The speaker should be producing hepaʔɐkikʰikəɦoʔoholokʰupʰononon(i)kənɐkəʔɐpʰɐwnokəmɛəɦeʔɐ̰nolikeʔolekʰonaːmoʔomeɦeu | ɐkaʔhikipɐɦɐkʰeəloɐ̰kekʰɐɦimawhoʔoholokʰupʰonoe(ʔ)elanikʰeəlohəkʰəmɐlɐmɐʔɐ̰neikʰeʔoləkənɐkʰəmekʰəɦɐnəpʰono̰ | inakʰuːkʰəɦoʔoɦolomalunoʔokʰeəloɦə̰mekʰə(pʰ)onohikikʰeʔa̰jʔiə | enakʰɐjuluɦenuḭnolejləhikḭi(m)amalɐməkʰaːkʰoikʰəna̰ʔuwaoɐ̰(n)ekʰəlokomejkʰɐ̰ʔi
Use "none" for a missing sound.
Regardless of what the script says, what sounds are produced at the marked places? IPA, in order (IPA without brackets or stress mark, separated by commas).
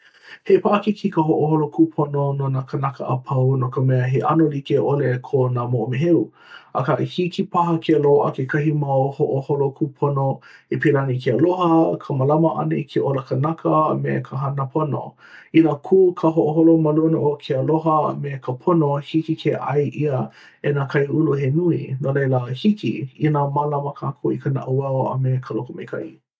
a, p, pʰ, n, m